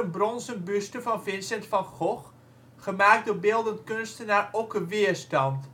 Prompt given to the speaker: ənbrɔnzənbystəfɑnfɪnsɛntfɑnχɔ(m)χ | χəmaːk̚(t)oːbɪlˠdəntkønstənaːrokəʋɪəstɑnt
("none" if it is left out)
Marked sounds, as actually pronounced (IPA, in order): none, d

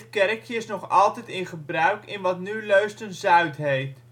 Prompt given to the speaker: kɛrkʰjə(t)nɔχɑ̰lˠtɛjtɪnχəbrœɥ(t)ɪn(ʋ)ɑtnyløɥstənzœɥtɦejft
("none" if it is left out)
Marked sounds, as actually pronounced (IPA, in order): s, k, ʋ

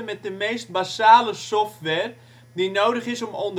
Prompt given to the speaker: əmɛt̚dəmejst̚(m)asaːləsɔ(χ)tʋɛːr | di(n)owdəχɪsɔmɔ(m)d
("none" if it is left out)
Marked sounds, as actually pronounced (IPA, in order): b, f, n, n

